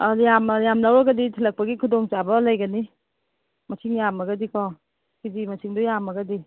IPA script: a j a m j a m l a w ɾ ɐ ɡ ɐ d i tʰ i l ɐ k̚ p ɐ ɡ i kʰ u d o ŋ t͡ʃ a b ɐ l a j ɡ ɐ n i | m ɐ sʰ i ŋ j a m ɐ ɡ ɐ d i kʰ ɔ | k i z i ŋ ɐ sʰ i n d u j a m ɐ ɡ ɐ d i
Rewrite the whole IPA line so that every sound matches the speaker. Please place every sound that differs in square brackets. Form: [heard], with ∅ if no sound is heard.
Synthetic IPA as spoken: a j a m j a m l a w ɾ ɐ ɡ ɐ d i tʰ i l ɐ k̚ p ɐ ɡ i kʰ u d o ŋ t͡ʃ a b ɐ l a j ɡ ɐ n i | m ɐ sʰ i ŋ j a m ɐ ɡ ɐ d i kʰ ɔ | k i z i [m] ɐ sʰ i [ŋ] d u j a m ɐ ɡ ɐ d i